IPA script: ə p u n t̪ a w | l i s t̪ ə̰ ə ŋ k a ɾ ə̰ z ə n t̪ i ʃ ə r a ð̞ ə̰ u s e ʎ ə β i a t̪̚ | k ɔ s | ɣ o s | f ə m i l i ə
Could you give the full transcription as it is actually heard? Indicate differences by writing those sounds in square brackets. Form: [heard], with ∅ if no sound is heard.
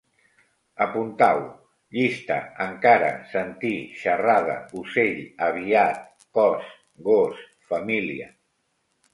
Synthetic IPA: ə p u n t̪ a w | [ʎ] i s t̪ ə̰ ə ŋ k a ɾ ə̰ [s] ə n t̪ i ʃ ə r a ð̞ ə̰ u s e ʎ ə β i a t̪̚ | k ɔ s | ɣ o s | f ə m i l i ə